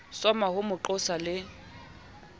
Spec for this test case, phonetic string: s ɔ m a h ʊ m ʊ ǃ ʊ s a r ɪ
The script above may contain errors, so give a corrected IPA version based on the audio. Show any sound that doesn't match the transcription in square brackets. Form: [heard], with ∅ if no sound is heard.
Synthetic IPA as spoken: s ɔ m a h ʊ m ʊ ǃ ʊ s a [l] ɪ